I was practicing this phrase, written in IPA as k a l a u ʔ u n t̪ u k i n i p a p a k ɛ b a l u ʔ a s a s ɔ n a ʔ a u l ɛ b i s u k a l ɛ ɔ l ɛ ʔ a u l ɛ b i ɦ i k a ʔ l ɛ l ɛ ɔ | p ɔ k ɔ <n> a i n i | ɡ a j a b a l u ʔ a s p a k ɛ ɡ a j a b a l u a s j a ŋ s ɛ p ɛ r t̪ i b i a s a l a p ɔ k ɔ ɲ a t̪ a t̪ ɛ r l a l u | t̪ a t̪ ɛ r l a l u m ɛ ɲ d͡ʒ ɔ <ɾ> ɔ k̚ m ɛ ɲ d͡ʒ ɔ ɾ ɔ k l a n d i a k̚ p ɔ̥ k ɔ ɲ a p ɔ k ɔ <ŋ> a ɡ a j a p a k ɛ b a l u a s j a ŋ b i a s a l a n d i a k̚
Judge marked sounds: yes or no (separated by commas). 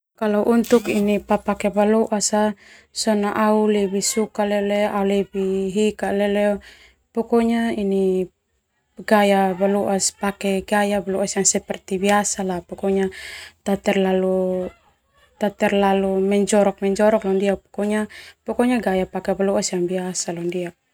no, yes, no